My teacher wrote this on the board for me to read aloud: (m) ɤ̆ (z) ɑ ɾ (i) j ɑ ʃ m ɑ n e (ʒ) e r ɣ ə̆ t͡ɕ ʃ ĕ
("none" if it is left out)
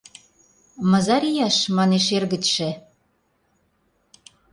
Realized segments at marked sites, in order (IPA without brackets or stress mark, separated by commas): m, z, i, ʃ